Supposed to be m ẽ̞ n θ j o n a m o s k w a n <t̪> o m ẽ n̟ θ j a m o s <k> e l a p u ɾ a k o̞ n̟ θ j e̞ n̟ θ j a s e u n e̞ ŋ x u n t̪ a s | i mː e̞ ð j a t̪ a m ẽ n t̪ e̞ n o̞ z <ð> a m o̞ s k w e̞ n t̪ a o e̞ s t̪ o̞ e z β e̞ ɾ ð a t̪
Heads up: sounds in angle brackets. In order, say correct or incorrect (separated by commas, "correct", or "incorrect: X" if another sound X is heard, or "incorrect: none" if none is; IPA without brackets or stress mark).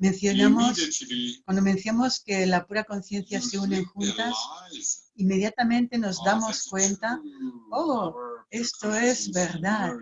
incorrect: d̪, correct, correct